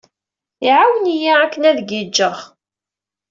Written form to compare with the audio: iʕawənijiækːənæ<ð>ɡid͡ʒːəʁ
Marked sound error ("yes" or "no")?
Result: no